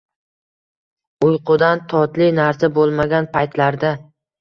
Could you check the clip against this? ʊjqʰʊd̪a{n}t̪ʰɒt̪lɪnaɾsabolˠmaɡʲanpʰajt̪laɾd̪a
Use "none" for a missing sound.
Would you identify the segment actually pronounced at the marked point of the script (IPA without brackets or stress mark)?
n